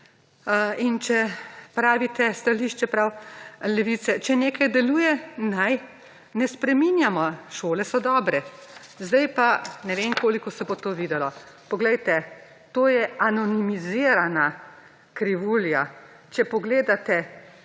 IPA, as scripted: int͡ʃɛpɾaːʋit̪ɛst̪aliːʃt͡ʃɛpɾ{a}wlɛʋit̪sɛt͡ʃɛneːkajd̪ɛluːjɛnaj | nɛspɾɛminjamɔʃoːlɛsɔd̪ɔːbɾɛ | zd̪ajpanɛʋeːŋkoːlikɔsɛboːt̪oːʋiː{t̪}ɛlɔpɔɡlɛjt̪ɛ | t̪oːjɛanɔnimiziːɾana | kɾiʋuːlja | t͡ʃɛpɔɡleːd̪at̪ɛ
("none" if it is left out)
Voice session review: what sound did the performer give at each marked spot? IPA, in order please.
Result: a, d̪

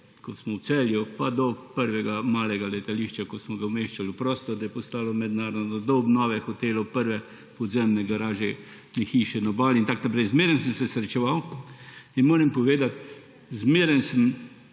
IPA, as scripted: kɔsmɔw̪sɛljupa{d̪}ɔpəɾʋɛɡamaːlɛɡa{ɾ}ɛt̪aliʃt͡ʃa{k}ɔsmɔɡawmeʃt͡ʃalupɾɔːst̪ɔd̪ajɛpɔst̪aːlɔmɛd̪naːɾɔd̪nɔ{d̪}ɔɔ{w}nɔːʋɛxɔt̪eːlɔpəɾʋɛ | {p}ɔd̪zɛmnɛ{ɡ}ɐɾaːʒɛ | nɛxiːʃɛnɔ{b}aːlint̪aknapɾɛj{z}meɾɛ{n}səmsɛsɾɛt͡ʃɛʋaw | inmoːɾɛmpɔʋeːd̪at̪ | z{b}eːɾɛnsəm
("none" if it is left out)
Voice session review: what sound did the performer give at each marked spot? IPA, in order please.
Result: d̪, l, k, d̪, b, p, ɡ, b, z, n, m

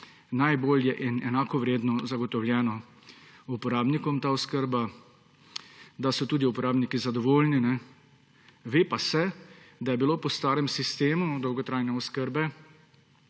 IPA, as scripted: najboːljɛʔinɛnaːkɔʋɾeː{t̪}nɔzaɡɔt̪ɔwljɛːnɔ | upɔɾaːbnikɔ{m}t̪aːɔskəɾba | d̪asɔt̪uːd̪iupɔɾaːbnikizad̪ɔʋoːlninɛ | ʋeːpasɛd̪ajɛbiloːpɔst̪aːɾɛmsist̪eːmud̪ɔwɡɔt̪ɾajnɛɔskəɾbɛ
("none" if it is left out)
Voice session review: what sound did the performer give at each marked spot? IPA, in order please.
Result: d̪, m

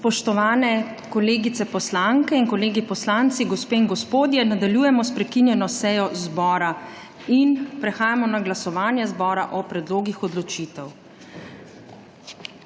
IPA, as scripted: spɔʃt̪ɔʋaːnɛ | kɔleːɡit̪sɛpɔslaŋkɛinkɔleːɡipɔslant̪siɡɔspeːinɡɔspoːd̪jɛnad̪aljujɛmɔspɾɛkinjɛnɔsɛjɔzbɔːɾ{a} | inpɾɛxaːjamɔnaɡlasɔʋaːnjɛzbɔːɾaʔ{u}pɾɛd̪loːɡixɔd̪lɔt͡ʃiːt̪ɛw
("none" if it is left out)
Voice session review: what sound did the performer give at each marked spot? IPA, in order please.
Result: a, ɔ

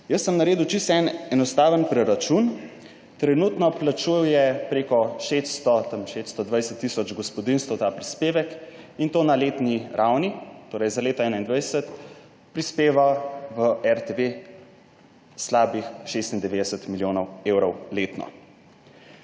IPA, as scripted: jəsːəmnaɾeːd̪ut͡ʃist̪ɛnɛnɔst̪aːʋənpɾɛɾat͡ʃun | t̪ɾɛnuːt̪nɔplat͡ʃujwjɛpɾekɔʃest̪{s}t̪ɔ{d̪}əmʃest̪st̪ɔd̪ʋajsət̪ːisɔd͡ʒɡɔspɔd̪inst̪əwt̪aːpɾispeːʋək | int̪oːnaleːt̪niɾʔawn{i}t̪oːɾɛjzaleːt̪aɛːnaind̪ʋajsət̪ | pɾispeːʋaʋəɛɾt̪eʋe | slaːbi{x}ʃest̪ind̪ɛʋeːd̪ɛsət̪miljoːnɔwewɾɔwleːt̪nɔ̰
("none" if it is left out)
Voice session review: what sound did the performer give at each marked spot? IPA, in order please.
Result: s, t̪, i, x

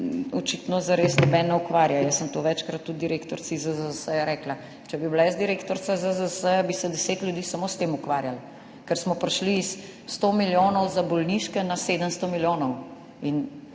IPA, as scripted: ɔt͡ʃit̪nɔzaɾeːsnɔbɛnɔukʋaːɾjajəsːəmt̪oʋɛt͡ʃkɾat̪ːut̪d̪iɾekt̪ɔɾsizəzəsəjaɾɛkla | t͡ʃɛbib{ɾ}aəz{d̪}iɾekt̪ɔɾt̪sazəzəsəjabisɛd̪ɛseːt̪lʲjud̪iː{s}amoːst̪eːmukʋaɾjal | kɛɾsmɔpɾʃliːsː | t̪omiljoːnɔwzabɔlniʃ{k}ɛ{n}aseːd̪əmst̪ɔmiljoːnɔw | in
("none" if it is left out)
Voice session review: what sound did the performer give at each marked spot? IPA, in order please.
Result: l, d̪, s, k, n

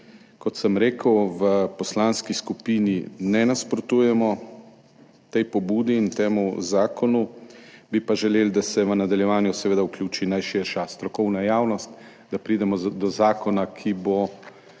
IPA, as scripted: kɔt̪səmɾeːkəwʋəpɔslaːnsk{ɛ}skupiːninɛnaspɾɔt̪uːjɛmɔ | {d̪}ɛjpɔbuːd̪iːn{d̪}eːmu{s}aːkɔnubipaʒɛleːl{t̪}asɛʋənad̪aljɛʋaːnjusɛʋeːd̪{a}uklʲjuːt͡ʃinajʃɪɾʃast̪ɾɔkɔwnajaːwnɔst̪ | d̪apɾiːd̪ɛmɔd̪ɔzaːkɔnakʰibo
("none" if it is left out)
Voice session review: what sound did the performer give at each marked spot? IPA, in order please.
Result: i, t̪, t̪, z, d̪, a

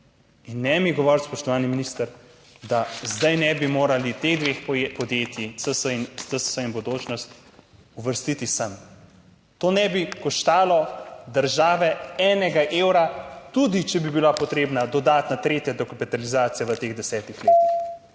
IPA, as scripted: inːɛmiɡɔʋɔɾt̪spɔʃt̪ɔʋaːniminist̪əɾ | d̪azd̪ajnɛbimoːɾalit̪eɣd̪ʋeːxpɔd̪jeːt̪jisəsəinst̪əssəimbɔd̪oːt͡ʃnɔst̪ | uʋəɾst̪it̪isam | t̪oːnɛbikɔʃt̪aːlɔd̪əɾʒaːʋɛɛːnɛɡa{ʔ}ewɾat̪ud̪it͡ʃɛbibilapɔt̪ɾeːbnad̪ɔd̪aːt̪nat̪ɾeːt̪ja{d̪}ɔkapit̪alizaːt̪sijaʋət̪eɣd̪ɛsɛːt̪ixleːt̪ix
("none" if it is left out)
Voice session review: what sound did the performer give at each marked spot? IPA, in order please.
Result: ʔ, d̪

